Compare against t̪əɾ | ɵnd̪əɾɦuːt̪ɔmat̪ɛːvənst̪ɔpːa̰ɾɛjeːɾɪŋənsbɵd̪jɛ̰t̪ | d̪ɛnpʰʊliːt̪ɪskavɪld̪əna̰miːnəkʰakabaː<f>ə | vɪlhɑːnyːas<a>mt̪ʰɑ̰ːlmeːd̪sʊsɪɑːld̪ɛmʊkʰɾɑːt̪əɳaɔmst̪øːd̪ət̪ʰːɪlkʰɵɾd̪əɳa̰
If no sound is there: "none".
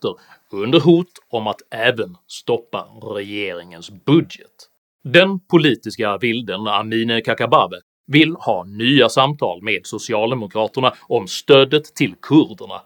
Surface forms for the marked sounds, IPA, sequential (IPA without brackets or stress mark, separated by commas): v, a